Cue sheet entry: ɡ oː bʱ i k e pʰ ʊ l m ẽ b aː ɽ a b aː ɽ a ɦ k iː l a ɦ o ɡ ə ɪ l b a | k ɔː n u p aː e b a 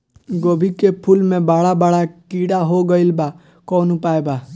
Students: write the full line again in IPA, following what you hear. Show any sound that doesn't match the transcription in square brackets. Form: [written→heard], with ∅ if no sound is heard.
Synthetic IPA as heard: ɡ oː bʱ i k e pʰ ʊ l m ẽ b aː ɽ a b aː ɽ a [ɦ→∅] k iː [l→ɽ] a ɦ o ɡ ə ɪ l b a | k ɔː n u p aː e b a